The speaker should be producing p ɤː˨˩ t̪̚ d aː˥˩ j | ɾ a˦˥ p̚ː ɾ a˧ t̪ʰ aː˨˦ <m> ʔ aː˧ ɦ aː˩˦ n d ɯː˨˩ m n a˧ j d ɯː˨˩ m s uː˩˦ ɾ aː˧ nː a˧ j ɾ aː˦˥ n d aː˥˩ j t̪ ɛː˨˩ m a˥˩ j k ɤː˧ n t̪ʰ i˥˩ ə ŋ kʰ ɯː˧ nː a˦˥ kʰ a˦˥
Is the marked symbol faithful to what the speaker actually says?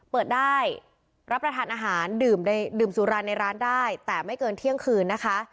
no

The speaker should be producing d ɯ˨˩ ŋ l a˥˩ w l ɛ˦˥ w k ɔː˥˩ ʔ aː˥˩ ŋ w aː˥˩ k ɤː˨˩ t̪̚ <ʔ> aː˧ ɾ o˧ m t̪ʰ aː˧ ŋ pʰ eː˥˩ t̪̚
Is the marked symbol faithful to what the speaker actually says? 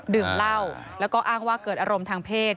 yes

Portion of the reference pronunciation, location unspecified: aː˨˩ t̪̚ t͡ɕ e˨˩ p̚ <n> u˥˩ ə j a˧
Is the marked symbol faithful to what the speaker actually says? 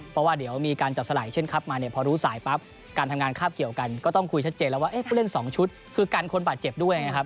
no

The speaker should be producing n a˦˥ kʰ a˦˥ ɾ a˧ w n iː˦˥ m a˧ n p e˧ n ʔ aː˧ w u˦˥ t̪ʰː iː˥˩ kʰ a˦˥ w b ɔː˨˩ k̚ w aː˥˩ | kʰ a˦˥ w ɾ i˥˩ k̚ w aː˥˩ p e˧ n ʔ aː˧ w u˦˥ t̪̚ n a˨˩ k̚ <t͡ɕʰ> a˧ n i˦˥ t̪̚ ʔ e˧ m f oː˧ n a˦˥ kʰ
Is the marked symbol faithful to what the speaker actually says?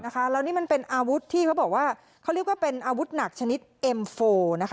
yes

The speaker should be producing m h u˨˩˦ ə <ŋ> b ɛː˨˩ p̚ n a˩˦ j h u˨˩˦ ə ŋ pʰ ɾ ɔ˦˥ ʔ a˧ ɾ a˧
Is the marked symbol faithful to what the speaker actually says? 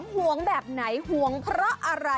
yes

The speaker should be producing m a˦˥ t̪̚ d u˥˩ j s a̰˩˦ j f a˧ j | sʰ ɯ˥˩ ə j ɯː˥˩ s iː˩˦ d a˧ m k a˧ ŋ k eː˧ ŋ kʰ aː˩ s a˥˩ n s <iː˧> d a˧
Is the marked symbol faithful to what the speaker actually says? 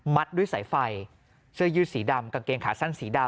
no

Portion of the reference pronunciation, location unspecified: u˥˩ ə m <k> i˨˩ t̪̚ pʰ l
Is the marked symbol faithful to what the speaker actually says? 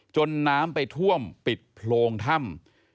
no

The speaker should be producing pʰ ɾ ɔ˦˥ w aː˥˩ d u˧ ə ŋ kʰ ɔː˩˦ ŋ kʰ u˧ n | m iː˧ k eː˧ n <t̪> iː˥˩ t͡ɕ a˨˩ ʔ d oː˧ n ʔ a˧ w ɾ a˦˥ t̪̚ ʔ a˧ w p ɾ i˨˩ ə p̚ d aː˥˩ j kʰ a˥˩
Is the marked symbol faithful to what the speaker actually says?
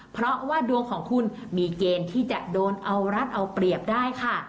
no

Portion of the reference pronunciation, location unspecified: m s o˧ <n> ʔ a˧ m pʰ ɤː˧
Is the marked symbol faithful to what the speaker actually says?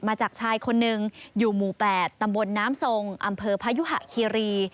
no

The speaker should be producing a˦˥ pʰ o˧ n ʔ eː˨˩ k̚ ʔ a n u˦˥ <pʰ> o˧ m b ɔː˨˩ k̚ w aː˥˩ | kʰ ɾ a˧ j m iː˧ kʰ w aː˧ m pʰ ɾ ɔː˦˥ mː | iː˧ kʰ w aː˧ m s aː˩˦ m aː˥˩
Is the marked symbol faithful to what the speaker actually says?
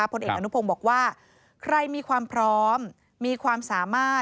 yes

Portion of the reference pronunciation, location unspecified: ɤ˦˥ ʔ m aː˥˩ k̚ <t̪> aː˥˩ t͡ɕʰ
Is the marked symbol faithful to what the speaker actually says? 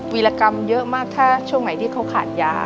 no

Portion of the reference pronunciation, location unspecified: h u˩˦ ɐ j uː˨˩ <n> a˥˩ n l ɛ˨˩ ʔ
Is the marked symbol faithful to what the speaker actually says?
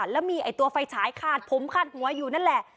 yes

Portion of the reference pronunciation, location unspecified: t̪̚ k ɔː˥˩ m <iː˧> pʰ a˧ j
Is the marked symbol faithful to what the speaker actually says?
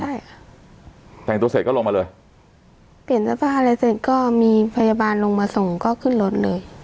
yes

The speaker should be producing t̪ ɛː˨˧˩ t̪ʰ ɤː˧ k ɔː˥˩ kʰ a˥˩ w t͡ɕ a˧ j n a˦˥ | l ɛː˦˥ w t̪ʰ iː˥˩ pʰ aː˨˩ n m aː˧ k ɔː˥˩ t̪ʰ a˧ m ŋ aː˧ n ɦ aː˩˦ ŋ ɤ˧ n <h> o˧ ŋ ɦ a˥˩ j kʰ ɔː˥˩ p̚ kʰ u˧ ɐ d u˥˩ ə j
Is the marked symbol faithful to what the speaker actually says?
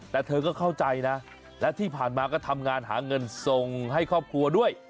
no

